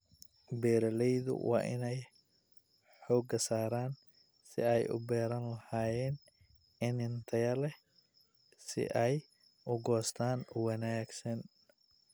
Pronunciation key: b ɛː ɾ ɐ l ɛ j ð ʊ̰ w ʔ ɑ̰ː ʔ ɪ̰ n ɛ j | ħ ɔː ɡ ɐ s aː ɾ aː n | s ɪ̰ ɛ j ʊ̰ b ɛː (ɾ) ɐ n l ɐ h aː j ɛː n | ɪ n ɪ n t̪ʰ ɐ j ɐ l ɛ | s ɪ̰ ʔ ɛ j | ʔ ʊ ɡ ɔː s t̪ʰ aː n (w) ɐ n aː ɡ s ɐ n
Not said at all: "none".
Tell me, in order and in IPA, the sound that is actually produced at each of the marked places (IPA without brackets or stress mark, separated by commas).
ɾ, w